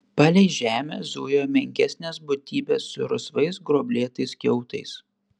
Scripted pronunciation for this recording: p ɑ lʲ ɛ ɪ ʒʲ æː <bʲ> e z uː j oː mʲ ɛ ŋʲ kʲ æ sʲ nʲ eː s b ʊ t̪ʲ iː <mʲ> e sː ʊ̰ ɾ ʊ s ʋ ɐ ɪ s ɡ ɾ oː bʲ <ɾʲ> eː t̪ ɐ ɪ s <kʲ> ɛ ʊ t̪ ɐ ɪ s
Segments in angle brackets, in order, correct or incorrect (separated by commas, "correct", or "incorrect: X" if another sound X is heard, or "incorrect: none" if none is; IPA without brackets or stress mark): incorrect: mʲ, incorrect: bʲ, incorrect: lʲ, correct